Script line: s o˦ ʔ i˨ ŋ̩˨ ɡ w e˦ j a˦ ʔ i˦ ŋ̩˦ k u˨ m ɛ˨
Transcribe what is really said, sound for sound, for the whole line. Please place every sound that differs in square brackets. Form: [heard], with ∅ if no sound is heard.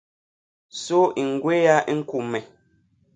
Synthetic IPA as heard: s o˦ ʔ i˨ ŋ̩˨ ɡ w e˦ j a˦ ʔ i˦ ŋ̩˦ k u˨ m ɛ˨